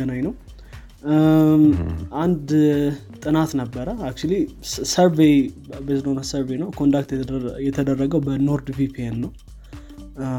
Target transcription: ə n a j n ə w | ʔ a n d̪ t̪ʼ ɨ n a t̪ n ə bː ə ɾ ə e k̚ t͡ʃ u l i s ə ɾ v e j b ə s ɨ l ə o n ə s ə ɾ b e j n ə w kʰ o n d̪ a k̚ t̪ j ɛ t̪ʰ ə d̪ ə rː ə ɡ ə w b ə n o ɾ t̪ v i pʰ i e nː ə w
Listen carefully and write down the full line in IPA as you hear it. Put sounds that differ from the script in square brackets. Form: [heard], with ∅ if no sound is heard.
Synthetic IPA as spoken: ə n a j n ə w | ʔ a n d̪ t̪ʼ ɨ n a t̪ n ə bː ə ɾ ə [a] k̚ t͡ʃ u l i s ə ɾ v e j b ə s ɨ l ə o n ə s ə ɾ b e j n ə w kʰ o n d̪ a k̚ t̪ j ɛ t̪ʰ ə d̪ ə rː ə ɡ ə w b ə n o ɾ [d̪] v i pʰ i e nː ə w